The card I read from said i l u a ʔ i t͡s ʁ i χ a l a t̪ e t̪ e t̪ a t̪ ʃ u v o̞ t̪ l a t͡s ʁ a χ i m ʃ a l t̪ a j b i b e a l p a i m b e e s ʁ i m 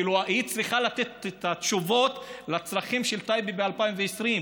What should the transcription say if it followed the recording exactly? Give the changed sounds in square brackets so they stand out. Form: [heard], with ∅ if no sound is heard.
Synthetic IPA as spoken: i l u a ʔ i t͡s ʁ i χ a l a t̪ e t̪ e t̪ a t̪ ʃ u v o̞ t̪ l a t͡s ʁ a χ i m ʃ [e] l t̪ a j b i b e a l p a i m [v] e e s ʁ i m